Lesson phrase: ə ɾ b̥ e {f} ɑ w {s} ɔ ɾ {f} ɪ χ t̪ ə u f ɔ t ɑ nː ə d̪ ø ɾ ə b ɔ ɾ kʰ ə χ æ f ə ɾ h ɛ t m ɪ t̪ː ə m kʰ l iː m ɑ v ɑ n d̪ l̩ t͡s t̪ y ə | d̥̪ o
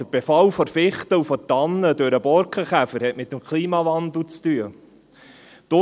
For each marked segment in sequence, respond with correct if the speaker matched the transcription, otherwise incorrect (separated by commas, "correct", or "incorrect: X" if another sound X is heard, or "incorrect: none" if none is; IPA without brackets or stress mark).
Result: correct, incorrect: f, correct